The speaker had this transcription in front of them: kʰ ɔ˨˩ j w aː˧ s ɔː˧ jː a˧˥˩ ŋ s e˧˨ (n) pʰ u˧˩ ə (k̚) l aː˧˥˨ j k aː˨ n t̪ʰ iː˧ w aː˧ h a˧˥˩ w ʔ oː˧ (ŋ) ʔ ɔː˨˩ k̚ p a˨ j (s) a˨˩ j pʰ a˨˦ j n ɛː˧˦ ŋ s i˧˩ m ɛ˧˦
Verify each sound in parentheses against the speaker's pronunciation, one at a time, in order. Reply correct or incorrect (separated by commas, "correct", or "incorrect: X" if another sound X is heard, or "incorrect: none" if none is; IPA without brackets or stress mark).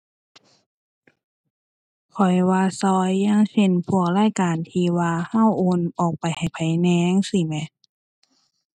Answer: correct, correct, incorrect: n, incorrect: h